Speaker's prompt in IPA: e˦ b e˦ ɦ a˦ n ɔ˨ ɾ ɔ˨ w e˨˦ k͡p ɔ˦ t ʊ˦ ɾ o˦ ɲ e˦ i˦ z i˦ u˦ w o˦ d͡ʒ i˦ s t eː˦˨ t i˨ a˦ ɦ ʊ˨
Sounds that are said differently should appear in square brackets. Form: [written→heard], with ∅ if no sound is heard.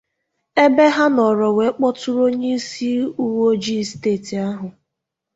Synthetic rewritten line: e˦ b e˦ ɦ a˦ n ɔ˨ ɾ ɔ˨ w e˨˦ k͡p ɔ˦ t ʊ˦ ɾ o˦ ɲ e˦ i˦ [z→s] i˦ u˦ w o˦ d͡ʒ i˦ s t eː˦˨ t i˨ a˦ ɦ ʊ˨